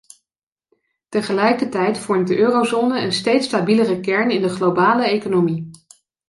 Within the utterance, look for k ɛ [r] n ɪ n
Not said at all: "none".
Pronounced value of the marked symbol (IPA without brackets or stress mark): ɹ